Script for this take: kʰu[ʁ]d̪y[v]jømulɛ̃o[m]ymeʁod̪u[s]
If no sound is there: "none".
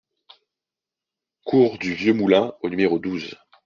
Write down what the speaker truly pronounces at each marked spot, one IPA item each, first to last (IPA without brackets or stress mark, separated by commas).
ʁ, v, n, z